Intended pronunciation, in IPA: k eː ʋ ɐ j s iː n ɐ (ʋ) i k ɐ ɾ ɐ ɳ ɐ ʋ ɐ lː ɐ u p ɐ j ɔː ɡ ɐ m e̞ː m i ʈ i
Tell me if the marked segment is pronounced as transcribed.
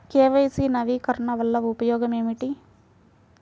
yes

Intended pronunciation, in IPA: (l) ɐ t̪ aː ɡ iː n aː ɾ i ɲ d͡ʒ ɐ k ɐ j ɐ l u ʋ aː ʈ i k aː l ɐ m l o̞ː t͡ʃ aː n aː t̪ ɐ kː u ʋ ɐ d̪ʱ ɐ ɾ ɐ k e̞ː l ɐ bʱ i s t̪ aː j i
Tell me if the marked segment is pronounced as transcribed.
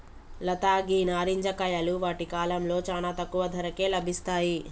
yes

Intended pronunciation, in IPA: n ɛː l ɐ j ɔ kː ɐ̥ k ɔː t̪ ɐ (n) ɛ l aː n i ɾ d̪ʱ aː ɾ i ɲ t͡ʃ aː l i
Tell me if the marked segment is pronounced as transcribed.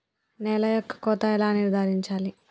no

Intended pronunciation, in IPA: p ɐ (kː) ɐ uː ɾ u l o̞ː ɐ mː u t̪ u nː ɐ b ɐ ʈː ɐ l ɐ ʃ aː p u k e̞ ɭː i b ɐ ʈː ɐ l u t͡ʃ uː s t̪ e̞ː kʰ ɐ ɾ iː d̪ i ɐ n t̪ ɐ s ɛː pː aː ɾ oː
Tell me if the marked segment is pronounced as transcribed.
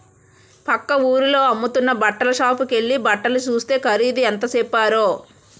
yes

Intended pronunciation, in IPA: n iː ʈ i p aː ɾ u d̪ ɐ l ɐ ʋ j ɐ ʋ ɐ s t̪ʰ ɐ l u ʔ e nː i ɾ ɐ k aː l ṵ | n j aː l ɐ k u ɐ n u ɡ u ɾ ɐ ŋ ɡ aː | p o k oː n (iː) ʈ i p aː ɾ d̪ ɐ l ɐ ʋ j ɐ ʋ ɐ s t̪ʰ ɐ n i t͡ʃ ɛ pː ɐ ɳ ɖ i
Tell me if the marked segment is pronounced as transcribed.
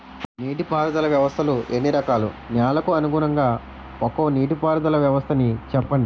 yes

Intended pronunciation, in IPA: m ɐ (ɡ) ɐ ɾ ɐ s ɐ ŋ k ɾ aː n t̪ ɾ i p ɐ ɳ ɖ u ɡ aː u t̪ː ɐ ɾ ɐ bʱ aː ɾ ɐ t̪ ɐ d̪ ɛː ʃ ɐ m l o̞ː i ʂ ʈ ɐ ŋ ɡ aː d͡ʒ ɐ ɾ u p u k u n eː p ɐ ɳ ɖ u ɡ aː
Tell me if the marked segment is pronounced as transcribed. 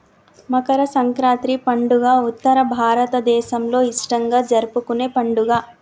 no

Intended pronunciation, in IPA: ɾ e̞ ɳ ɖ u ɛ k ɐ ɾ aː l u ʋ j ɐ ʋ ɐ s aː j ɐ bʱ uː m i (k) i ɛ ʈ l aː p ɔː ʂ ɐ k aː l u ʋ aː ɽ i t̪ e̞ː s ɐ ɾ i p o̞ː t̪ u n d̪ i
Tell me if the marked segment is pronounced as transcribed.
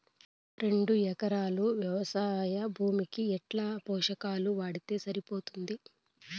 yes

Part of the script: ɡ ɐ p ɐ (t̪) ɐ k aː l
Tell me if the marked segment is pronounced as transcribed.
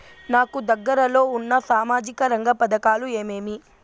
no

